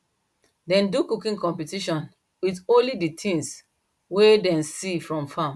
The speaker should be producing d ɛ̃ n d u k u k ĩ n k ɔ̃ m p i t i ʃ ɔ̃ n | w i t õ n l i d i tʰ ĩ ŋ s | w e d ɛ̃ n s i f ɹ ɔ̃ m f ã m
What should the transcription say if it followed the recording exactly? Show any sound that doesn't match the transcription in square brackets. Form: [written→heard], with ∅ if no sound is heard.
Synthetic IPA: d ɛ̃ n d u k u k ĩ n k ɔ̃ m p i t i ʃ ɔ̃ n | w i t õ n l i d i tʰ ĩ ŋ s | w e d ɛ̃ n s i f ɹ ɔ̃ m f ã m